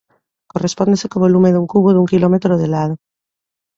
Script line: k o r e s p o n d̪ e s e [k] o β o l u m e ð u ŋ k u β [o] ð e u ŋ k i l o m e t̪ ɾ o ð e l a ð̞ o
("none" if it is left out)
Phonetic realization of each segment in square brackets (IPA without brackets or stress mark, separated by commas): k, o